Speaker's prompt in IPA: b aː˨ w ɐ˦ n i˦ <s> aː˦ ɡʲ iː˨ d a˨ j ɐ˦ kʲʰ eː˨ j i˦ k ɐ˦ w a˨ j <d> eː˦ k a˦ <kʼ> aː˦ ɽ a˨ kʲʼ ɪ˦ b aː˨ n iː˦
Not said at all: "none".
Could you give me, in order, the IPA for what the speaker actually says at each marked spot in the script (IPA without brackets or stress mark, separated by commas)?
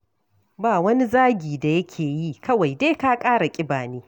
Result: z, d, kʼ